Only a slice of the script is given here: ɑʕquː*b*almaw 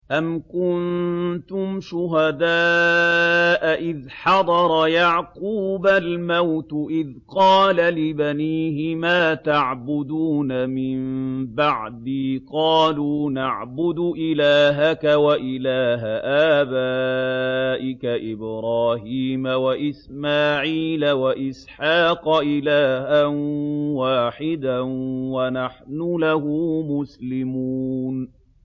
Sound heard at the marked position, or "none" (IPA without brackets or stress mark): b